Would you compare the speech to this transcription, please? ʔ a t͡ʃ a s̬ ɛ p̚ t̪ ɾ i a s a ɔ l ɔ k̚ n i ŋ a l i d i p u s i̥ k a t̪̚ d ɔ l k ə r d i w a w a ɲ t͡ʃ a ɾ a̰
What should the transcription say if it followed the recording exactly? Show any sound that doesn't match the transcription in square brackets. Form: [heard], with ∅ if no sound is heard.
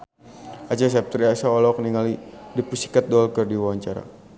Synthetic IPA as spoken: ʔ a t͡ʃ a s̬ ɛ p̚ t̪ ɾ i a s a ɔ l ɔ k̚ n i ŋ a l i d i p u s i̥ k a t̪̚ d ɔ l k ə r d i w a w a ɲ t͡ʃ a ɾ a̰